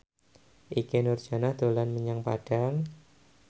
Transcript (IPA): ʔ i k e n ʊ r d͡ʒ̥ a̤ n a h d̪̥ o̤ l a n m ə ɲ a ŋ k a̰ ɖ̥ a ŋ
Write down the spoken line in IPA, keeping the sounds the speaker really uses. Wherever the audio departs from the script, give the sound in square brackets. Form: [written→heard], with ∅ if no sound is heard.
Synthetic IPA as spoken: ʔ i k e n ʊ r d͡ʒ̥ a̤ n a h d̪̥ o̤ l a n m ə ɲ a ŋ [k→p] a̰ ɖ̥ a ŋ